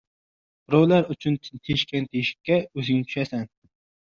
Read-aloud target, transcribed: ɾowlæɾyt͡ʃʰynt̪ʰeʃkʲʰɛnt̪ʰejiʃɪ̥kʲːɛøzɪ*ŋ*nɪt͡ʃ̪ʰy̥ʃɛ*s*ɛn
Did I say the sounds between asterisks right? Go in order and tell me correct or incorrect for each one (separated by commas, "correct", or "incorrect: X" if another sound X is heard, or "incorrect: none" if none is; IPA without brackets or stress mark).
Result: correct, correct